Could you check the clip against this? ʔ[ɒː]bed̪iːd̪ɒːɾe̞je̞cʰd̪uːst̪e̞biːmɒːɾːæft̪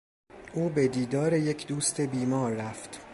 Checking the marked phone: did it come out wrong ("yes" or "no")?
yes